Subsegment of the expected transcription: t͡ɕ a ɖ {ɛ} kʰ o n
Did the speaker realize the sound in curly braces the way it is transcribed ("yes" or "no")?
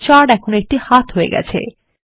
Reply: yes